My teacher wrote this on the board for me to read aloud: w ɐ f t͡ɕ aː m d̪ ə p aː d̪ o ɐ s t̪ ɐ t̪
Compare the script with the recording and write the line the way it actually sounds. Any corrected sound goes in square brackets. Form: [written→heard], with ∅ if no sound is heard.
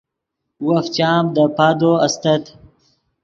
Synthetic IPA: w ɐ f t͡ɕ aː m d̪ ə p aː d̪ o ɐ s t̪ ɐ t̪